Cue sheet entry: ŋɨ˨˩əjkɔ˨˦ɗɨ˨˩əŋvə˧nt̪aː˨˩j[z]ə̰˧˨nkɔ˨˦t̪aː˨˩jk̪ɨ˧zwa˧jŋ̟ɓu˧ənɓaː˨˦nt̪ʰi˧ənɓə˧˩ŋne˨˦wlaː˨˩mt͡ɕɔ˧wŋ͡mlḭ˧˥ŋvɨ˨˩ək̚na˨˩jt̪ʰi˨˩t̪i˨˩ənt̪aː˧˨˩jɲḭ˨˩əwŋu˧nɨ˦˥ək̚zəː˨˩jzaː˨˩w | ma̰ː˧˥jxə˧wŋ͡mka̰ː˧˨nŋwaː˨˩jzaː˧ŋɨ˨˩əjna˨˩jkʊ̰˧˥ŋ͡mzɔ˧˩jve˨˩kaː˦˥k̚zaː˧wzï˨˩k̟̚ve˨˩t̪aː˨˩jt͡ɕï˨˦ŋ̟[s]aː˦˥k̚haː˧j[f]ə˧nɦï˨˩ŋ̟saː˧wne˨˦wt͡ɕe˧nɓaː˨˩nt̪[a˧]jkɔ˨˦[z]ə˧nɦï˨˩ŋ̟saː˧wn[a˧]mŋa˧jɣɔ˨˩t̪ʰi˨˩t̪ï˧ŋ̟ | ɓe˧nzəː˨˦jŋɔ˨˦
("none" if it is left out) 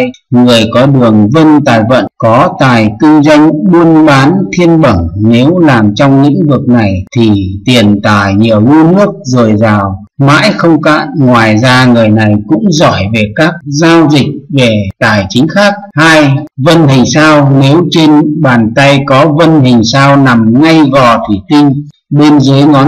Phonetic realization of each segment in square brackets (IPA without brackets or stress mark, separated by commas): v, x, v, a˧, v, a˨˩